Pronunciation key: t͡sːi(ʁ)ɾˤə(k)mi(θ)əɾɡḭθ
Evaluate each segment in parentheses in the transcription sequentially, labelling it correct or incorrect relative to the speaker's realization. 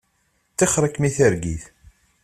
incorrect: χ, correct, correct

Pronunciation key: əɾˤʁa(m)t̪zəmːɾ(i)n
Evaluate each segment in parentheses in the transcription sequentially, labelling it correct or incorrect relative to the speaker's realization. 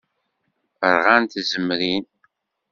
incorrect: n, correct

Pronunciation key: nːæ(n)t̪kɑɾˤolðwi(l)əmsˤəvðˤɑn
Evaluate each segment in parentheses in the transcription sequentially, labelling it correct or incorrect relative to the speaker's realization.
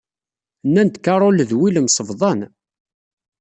correct, correct

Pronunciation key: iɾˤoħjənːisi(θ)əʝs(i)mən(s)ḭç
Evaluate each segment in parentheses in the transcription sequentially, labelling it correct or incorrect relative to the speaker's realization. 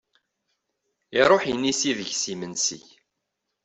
incorrect: ð, correct, correct

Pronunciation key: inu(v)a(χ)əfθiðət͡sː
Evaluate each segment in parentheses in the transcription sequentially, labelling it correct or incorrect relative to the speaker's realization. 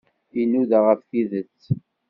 incorrect: ð, incorrect: ʁ

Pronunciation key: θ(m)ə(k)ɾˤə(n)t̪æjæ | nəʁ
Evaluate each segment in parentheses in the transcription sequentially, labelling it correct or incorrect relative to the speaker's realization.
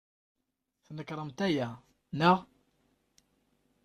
incorrect: n, correct, incorrect: m

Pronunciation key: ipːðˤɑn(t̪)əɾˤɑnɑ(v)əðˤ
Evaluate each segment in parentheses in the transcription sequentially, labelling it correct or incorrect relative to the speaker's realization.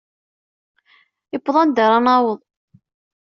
incorrect: d̪, incorrect: w

